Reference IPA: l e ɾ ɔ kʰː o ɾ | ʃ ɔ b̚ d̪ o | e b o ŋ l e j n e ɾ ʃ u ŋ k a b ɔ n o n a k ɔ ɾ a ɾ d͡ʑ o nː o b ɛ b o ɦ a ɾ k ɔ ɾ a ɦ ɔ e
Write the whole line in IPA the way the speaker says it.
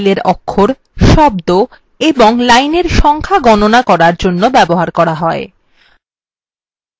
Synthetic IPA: l e ɾ ɔ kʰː o ɾ | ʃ ɔ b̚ d̪ o | e b o ŋ l a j n e ɾ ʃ ɔ ŋ kʰ a ɡ ɔ n o n a k ɔ ɾ a ɾ d͡ʑ o nː o b ɛ b o ɦ a ɾ k ɔ ɾ a ɦ ɔ e